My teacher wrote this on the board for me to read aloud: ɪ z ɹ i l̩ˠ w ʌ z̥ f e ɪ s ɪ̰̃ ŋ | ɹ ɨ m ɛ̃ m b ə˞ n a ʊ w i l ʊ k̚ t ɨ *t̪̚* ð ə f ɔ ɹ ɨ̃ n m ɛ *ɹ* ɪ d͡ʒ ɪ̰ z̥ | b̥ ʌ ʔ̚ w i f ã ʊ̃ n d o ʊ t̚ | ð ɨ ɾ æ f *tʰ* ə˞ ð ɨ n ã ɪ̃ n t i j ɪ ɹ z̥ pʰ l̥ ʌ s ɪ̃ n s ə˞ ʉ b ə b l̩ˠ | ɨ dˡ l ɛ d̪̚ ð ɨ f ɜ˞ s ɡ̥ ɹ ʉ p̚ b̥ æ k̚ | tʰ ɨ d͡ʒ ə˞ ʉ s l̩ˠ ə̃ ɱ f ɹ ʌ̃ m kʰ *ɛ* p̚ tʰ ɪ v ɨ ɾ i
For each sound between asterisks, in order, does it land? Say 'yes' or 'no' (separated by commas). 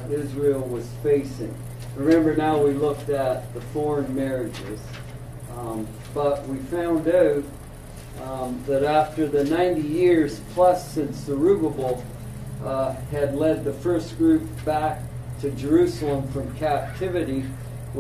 yes, yes, no, no